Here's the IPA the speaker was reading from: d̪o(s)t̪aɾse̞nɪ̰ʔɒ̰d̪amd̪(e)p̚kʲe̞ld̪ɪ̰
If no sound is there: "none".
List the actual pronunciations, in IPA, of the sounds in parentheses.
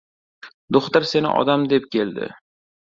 χ, e

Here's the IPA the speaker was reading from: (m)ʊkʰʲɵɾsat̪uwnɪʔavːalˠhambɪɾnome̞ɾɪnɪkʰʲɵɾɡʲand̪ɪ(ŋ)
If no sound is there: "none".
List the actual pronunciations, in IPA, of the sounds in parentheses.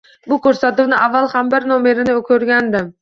b, m

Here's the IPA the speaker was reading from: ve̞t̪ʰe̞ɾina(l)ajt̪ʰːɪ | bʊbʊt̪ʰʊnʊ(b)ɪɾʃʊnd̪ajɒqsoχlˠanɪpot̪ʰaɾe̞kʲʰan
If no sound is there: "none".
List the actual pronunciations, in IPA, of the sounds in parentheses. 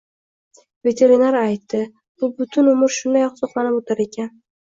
ɾ, m

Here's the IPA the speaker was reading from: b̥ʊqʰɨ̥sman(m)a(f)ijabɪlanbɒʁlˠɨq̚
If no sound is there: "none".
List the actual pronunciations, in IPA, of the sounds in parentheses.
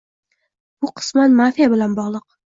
m, f

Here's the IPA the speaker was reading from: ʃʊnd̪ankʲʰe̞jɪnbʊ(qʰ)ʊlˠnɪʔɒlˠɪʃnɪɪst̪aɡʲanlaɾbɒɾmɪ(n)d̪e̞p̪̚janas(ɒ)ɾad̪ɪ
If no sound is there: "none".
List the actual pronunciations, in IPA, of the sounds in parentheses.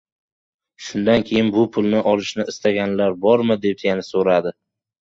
pʰ, none, o

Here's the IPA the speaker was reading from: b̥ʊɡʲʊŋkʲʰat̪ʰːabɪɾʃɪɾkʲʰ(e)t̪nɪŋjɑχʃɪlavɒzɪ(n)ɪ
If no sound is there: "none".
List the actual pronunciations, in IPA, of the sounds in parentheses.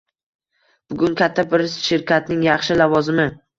a, m

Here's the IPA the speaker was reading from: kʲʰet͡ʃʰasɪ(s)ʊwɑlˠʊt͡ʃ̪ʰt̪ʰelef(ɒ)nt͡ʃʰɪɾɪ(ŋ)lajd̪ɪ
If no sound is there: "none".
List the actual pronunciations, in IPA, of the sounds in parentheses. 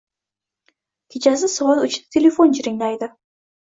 s, o, ŋ

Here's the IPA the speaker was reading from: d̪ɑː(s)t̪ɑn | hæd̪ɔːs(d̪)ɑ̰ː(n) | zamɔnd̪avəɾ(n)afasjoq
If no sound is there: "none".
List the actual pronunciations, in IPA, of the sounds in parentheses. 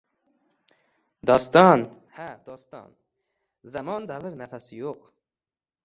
s, t̪, n, n

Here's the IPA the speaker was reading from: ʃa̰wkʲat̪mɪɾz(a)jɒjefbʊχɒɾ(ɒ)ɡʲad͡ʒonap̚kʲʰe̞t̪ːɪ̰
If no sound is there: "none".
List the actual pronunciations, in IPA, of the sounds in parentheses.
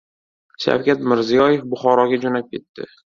i, ɒ

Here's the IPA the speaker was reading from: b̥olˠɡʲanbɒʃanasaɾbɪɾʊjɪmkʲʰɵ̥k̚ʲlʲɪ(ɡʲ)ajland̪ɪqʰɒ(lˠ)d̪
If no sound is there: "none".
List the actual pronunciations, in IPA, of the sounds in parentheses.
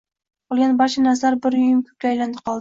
none, lˠ

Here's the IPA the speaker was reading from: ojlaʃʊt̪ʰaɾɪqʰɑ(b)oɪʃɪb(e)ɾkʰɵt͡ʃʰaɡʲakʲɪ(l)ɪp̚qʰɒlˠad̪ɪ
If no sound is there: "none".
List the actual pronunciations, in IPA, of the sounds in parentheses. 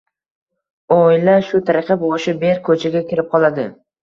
b, e, ɾ

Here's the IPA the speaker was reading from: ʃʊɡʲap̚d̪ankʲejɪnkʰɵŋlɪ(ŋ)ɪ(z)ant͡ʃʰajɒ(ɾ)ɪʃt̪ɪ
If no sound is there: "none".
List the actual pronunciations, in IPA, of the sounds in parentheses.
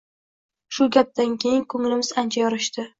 m, z, ɾ

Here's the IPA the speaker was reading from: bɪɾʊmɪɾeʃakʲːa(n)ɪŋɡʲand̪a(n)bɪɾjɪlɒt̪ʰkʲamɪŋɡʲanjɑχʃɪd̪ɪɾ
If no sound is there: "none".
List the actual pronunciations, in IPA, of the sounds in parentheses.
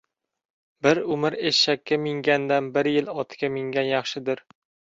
m, n

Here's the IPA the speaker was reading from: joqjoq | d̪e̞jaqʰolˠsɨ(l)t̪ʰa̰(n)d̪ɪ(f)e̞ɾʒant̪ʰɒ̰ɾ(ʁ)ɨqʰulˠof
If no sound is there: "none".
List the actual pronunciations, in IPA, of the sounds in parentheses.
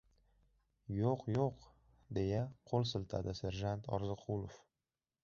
l, none, s, z

